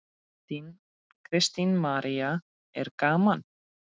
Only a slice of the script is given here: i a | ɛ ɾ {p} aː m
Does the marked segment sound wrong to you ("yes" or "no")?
yes